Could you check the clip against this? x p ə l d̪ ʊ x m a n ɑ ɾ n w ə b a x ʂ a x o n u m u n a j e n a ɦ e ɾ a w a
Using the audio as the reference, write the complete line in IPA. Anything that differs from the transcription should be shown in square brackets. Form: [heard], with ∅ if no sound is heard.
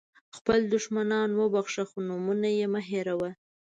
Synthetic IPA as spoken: x p ə l d̪ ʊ [ʃ] m a n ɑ [∅] n w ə b a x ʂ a x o n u m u n a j e [m] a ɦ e ɾ a w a